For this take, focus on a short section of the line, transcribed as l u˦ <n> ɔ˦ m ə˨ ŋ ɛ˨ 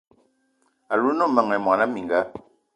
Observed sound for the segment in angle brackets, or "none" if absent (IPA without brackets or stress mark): n